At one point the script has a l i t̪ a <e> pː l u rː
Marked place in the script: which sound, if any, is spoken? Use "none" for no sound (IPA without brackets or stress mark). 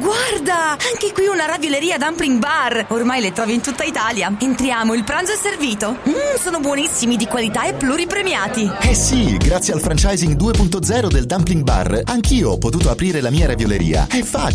e